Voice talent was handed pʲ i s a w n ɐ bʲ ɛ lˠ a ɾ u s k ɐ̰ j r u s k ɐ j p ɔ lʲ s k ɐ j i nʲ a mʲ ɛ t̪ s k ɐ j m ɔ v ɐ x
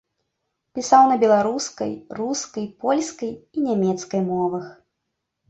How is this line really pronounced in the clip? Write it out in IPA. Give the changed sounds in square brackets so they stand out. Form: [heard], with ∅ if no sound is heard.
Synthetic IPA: pʲ i s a w n ɐ bʲ ɛ lˠ a ɾ u s k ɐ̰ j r u s k ɐ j p ɔ lʲ s k ɐ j i nʲ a mʲ ɛ t̪ s k ɐ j m ɔ v ɐ x